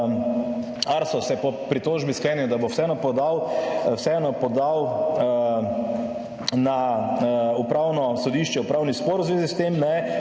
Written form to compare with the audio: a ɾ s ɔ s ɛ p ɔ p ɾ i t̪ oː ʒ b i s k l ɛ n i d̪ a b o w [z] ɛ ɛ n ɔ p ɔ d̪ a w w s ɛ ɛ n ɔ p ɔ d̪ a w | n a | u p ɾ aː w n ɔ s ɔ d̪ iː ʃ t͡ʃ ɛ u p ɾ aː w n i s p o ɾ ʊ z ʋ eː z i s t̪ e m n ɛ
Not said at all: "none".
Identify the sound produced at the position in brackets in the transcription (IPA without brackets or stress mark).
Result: s